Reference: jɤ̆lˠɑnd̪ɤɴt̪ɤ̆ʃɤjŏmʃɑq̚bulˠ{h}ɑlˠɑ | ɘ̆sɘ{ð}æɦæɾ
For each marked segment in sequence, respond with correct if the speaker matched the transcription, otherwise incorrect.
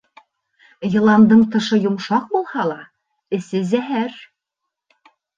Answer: correct, incorrect

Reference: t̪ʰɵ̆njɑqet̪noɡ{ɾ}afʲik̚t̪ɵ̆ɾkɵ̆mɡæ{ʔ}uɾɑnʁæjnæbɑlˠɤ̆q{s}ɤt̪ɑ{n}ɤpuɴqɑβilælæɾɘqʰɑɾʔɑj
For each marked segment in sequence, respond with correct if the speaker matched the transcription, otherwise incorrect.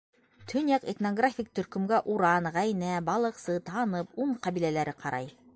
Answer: incorrect, correct, correct, correct

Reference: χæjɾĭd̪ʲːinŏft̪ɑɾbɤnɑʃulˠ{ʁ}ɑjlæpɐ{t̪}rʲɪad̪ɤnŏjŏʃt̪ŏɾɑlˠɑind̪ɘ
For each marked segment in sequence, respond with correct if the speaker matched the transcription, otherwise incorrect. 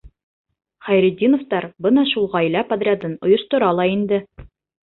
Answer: correct, incorrect

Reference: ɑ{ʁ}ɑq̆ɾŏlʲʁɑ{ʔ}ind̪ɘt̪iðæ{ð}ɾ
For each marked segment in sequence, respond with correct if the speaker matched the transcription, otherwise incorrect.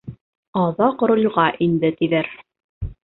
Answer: incorrect, correct, incorrect

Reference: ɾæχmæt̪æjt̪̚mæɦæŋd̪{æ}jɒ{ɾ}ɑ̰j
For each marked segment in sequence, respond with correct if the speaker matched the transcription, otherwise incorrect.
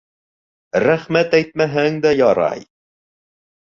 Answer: correct, correct

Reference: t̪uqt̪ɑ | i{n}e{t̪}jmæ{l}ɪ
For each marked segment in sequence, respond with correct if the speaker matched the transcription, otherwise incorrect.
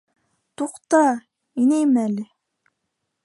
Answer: correct, incorrect, correct

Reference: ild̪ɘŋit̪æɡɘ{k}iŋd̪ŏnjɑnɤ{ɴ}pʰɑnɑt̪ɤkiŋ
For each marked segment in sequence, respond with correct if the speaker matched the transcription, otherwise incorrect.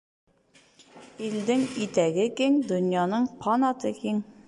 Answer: correct, correct

